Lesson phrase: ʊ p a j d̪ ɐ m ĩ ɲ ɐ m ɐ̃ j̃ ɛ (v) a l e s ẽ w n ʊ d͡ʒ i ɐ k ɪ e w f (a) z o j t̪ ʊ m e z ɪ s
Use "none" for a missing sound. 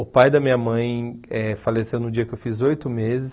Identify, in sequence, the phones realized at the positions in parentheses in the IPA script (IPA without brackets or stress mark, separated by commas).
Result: f, i